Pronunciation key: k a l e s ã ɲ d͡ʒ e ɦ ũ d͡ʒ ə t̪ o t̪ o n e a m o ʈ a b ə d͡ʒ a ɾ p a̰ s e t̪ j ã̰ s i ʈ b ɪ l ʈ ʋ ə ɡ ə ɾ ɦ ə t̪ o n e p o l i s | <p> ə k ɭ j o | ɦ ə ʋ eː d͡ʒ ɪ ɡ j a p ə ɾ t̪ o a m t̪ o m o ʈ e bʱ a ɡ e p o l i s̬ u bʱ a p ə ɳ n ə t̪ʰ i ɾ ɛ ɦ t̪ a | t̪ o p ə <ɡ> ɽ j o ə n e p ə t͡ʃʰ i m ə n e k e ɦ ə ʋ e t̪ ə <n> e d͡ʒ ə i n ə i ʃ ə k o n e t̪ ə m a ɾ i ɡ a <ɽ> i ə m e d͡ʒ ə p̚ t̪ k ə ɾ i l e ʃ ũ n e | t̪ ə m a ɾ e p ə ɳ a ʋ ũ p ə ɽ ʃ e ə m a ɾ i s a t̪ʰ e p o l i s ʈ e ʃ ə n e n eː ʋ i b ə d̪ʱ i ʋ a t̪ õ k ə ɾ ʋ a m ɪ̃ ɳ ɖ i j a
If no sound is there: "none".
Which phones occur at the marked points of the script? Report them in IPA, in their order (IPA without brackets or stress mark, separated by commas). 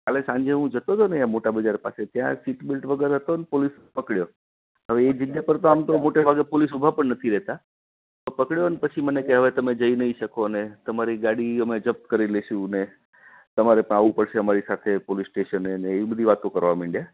p, k, m, ɽ